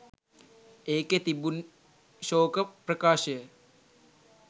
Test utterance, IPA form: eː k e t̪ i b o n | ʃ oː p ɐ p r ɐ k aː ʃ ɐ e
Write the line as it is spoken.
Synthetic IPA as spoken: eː k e t̪ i b u n | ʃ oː k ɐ p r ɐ k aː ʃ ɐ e